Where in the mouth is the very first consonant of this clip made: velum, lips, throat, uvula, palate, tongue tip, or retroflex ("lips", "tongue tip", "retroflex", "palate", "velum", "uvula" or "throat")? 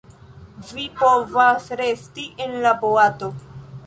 lips